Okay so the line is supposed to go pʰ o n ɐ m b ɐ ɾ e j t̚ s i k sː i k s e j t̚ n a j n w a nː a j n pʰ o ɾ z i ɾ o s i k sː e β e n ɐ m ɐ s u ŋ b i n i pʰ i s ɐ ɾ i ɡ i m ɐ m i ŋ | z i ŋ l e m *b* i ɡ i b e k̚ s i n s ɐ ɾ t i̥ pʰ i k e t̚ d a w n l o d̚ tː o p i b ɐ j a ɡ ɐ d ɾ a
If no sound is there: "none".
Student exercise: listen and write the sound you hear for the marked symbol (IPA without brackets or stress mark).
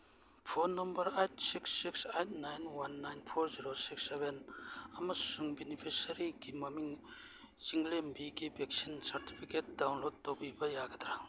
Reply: b